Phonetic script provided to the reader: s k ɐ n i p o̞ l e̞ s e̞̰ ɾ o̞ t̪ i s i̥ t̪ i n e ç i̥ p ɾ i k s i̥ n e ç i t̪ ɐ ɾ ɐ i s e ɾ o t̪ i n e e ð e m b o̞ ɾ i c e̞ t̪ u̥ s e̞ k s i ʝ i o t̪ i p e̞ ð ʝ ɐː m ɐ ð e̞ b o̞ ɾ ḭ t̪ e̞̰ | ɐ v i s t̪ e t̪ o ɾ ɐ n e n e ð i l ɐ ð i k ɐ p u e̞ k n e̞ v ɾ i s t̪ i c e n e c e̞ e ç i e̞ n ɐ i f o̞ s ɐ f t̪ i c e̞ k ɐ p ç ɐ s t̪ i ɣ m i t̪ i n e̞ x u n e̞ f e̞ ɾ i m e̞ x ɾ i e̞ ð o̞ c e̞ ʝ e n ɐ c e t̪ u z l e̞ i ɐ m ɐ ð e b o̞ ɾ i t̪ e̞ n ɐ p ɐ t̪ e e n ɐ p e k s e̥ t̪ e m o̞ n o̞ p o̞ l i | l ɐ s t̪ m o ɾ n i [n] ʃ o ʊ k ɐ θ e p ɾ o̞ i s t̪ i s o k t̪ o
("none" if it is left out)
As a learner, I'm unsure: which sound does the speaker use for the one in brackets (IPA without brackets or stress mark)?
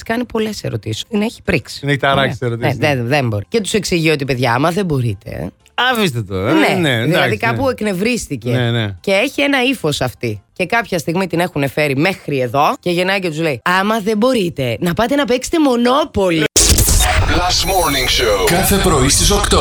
ŋ